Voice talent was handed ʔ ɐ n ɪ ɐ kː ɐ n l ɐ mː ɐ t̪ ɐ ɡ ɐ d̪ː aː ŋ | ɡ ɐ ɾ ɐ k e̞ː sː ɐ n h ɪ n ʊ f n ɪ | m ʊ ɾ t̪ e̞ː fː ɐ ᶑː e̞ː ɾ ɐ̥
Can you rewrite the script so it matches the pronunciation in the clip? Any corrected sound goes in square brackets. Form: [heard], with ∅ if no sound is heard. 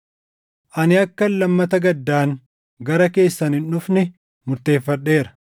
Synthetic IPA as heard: ʔ ɐ n ɪ ɐ kː ɐ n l ɐ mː ɐ t̪ ɐ ɡ ɐ d̪ː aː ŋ | ɡ ɐ ɾ ɐ k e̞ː sː ɐ n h ɪ n ʊ f n ɪ | m ʊ ɾ t̪ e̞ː fː ɐ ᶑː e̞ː ɾ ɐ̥